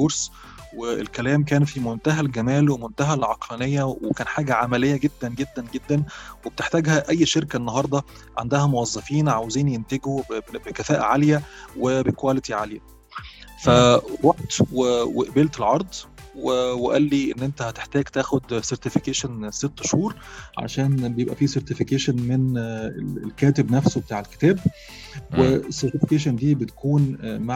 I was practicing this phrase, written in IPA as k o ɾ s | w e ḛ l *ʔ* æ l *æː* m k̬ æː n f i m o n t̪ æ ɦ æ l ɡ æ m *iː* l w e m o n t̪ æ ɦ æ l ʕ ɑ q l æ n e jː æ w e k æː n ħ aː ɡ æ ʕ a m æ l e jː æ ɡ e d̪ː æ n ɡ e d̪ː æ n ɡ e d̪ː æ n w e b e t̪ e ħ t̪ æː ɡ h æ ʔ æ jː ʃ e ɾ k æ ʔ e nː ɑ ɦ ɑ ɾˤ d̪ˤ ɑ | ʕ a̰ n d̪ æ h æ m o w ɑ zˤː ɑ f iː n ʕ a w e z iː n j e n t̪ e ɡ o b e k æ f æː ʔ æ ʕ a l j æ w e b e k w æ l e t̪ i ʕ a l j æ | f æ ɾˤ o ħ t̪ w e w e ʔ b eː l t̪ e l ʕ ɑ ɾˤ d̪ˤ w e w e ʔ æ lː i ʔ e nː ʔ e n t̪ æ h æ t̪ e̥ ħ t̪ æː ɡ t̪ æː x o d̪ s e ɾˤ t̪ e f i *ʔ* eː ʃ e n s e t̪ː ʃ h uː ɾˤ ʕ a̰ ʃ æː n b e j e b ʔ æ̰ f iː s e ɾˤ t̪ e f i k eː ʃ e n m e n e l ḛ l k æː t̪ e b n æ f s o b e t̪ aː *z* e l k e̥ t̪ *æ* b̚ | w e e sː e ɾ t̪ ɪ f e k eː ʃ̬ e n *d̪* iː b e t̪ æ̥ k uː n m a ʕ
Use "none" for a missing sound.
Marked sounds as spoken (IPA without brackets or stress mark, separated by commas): k, æː, æː, k, ʕ, æː, d̪